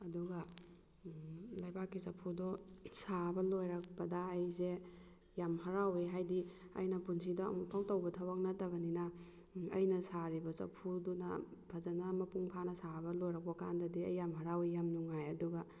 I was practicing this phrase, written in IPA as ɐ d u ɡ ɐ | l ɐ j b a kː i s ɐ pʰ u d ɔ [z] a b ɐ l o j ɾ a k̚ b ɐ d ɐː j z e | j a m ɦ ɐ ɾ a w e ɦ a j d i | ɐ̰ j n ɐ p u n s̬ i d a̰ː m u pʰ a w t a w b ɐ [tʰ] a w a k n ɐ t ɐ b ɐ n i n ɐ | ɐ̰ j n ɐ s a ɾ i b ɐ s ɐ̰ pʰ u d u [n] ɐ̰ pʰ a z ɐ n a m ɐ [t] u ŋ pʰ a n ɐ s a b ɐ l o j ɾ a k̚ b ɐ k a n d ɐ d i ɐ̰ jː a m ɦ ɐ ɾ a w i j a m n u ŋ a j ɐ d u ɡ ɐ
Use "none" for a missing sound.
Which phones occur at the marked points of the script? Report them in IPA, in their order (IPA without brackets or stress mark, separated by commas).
s, tʰ, n, p